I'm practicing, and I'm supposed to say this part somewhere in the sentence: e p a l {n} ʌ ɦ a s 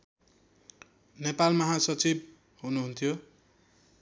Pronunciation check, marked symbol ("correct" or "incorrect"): incorrect